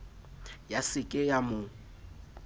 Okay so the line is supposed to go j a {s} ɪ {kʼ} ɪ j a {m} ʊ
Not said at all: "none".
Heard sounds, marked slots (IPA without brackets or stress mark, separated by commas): s, kʼ, m